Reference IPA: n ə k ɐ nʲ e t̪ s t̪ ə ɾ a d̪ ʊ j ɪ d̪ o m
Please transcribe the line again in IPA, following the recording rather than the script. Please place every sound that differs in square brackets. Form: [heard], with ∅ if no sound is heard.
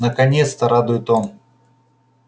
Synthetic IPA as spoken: n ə k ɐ nʲ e t̪ s t̪ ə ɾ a d̪ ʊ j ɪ [t̪] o m